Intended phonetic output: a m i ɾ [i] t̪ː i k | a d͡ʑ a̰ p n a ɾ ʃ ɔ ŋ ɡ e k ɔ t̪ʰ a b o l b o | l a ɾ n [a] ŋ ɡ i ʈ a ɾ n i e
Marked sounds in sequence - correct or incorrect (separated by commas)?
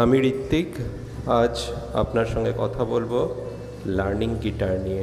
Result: correct, incorrect